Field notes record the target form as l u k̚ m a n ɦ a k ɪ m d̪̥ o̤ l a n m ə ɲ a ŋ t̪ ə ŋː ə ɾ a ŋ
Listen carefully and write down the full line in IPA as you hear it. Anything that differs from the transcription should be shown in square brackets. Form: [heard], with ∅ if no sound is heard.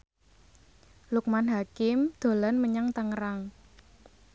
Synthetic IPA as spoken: l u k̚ m a n ɦ a k ɪ m d̪̥ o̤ l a n m ə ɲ a ŋ t̪ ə [ŋ] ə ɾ a ŋ